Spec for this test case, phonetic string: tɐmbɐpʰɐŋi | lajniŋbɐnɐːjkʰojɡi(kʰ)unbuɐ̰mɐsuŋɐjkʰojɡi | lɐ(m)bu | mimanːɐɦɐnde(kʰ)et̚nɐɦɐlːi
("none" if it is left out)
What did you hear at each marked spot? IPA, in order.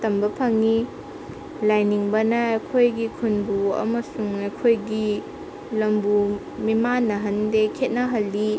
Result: kʰ, m, kʰ

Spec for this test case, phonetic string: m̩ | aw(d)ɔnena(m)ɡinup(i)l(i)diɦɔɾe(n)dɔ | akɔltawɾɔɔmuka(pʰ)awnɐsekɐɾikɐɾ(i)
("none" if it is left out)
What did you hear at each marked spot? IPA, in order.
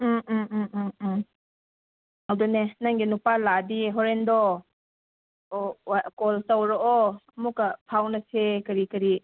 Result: d, ŋ, a, a, n, pʰ, i

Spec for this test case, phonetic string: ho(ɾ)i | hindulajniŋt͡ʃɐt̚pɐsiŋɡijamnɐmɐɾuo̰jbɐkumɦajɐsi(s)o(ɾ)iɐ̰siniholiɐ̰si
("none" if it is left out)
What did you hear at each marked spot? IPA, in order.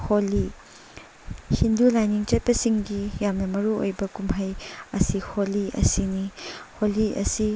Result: l, h, l

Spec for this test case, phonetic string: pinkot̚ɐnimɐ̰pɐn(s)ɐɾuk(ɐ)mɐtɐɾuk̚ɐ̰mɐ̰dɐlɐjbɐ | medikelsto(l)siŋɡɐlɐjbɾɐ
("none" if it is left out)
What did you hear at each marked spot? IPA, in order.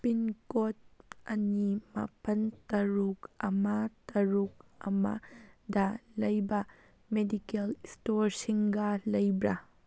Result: t, ɐ, ɾ

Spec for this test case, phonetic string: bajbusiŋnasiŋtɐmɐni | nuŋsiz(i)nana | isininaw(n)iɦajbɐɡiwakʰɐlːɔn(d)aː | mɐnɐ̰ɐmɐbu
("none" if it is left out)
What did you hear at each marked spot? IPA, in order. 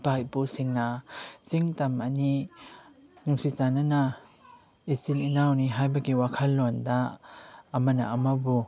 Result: a, n, d

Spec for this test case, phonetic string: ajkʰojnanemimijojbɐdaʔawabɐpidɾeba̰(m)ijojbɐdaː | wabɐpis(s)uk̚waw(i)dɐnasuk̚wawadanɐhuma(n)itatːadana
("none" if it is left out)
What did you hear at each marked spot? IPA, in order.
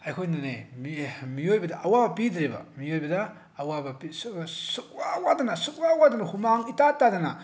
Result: m, s, a, ŋ

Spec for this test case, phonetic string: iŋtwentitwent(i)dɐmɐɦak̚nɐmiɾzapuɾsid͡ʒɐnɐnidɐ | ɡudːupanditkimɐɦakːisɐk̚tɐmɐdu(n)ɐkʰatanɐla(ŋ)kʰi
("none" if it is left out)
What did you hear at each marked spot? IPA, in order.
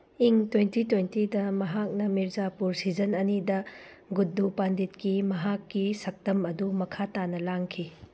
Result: i, m, ŋ

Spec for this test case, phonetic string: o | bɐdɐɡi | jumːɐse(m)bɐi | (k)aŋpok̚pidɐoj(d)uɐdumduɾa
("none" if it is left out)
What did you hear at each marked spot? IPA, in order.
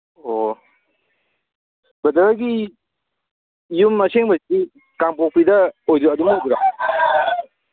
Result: ŋ, k, d

